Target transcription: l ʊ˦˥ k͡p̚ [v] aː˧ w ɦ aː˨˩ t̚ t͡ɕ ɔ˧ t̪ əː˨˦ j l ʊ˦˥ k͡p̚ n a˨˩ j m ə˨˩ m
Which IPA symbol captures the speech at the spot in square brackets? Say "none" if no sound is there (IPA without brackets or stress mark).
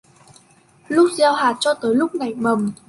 z